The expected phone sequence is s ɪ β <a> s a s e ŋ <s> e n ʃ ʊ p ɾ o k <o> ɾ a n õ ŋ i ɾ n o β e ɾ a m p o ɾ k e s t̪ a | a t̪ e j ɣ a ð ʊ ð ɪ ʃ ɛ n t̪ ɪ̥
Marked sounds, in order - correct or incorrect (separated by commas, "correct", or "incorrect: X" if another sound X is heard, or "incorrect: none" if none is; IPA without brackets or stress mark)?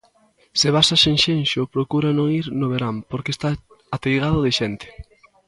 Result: correct, incorrect: ʃ, incorrect: u